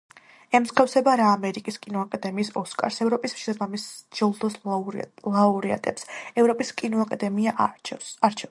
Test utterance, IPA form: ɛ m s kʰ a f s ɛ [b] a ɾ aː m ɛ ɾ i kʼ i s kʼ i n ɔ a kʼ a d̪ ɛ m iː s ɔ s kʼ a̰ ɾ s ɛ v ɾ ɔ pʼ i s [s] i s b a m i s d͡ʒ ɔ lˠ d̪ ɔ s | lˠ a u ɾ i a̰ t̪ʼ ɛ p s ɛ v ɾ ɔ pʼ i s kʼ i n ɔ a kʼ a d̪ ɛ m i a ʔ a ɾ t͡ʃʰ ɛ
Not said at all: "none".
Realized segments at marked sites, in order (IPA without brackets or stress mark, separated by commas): b, ʃ